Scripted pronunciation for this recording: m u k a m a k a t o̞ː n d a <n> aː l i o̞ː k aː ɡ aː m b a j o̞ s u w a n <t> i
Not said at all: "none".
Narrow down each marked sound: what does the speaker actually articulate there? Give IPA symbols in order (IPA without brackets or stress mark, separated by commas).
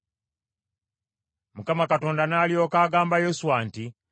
n, t